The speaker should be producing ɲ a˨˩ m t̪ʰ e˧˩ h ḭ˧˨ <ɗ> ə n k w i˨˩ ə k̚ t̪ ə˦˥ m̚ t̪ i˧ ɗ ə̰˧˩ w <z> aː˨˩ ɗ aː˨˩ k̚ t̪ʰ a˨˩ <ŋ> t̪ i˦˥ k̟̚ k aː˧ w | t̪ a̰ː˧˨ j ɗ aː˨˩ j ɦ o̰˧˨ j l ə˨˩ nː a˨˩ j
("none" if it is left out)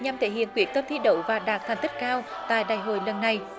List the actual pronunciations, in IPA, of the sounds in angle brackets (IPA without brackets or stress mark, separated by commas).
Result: none, v, ŋ